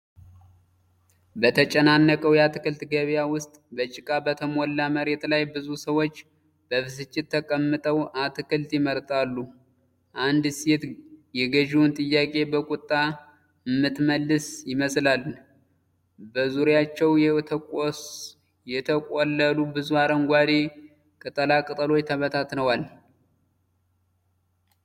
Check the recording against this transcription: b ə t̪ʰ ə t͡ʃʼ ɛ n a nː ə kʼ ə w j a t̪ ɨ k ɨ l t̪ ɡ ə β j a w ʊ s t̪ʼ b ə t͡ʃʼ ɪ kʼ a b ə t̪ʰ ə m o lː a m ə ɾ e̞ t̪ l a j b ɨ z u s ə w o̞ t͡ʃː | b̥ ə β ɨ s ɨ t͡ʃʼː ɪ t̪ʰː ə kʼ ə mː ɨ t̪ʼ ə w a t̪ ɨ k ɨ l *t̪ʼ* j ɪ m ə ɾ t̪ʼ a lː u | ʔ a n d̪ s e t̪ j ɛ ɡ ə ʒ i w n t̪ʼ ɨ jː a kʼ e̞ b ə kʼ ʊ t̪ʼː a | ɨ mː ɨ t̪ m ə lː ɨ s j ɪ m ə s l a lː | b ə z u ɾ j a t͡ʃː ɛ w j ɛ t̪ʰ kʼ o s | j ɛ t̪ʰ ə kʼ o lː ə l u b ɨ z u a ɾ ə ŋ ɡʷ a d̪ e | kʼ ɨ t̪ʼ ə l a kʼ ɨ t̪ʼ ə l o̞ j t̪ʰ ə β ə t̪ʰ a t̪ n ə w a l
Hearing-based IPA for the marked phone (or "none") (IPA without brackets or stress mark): t̪